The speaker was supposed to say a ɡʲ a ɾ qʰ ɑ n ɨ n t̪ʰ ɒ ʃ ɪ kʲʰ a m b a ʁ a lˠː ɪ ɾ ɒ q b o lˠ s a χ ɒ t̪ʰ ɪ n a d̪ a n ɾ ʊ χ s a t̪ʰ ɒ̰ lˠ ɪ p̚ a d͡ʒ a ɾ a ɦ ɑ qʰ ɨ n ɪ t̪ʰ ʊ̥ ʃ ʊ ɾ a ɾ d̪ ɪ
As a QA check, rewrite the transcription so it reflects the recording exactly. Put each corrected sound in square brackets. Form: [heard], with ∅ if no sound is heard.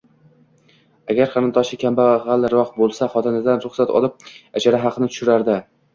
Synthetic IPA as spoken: a ɡʲ a ɾ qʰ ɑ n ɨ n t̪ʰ ɒ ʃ ɪ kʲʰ a m b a ʁ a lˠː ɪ ɾ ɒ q b o lˠ s a χ ɒ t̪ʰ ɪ n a d̪ a n ɾ ʊ χ s a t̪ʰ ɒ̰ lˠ ɪ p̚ a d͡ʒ a ɾ a ɦ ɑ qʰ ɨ n ɪ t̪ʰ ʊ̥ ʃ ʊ ɾ a ɾ d̪ ɪ